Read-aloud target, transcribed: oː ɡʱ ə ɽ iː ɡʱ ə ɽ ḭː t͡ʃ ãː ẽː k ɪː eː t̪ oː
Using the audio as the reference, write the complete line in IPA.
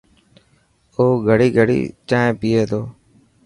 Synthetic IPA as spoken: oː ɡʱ ə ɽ iː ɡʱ ə ɽ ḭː t͡ʃ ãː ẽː p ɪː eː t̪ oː